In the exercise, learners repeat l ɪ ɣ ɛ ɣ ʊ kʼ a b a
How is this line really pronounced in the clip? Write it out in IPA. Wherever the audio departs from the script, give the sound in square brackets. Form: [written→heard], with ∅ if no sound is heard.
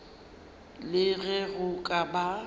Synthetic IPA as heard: l ɪ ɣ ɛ ɣ ʊ kʼ a b a